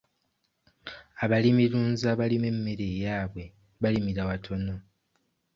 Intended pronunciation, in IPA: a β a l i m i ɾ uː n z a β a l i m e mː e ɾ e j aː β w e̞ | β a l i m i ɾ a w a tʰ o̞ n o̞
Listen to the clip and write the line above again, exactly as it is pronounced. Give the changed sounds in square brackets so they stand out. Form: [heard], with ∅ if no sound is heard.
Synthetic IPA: a β a l i m i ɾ uː n z a β a l i m e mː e ɾ e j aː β w e̞ | β a l i m i ɾ a w a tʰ o̞ n o̞

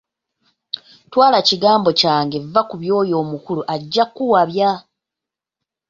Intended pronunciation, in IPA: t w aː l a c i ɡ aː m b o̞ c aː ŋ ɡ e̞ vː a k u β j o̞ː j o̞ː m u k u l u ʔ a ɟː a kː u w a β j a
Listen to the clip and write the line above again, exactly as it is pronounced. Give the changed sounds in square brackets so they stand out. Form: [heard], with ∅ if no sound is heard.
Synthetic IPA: t w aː l a c i ɡ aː m b o̞ c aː ŋ ɡ e̞ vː a k u β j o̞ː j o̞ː m u k u l u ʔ a ɟː a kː u w a β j a

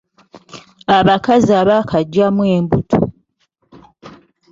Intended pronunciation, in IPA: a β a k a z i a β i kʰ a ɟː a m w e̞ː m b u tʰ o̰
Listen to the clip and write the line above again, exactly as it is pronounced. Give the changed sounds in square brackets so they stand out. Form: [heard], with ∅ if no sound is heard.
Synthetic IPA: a β a k a z i a β [a] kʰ a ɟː a m w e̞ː m b u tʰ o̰

